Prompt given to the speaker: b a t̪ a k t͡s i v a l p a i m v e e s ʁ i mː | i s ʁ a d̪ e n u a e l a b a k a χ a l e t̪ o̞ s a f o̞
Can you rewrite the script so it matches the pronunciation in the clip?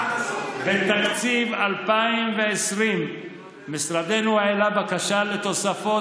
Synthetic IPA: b e t̪ a k t͡s i v a l p a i m v e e s ʁ i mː | i s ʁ a d̪ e n u a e l a b a k a ʃ a l e t̪ o̞ s a f o̞